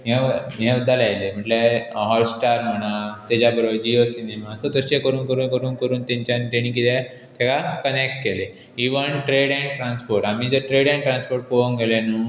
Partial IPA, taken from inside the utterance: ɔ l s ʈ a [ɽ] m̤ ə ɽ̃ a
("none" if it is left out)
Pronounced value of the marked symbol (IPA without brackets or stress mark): ɾ